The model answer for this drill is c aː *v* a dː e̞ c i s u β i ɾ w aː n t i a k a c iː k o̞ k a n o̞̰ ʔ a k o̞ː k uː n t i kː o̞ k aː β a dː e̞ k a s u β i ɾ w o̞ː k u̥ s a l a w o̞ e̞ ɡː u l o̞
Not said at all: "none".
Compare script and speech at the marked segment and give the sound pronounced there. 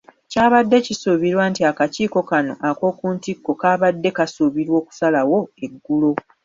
β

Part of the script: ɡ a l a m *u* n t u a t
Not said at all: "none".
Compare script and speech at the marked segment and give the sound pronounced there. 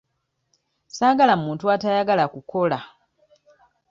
uː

